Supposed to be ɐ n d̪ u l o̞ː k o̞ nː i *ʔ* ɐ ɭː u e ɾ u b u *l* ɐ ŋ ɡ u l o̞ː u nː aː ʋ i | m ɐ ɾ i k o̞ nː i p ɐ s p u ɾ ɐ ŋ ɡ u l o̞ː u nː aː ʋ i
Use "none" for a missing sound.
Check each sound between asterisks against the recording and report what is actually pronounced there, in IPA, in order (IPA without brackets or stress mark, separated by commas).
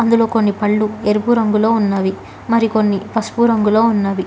p, ɾ